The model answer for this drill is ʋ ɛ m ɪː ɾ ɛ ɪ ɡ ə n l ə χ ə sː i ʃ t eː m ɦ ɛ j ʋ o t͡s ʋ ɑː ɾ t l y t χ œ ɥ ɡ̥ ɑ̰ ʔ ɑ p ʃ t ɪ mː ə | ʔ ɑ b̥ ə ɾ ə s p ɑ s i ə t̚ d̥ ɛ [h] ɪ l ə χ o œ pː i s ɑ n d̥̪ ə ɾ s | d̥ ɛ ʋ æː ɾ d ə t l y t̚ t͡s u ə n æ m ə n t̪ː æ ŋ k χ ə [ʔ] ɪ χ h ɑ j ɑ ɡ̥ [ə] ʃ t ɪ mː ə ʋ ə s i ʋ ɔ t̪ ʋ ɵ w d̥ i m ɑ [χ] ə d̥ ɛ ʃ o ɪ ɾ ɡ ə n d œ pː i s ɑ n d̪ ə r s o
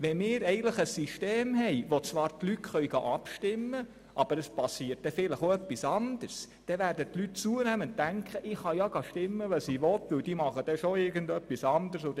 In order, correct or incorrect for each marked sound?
incorrect, correct, incorrect, correct

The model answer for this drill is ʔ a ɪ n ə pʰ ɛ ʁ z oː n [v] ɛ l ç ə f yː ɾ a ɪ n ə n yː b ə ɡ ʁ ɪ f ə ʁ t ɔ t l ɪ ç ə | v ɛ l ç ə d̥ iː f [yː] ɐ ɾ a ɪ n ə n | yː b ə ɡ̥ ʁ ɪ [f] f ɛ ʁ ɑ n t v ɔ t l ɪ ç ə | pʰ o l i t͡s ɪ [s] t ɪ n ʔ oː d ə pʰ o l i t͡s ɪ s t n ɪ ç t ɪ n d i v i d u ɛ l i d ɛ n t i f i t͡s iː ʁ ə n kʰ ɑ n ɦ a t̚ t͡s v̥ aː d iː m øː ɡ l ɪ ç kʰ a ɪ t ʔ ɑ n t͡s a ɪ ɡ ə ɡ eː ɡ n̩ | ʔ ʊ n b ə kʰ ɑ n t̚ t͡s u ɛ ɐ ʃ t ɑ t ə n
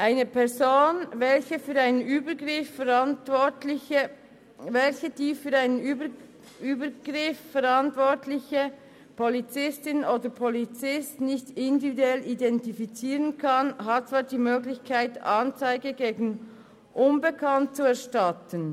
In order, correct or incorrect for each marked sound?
correct, correct, correct, correct

